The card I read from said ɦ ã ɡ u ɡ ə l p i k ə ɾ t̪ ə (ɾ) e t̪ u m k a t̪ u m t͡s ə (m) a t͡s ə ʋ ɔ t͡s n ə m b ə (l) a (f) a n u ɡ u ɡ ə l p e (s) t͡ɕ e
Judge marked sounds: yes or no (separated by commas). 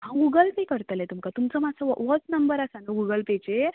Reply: no, yes, no, no, no